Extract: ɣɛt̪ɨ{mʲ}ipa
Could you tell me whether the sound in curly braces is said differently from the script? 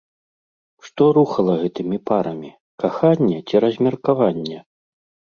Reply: no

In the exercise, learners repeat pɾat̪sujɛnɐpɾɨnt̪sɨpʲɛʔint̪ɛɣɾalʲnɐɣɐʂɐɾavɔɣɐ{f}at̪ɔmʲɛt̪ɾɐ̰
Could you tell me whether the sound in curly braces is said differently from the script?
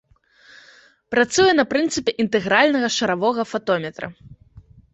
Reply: no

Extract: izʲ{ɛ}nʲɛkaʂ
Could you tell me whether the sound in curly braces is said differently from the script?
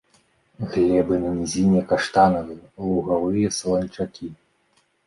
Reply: yes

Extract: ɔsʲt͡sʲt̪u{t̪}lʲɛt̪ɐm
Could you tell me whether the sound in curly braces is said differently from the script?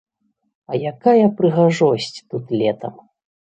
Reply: no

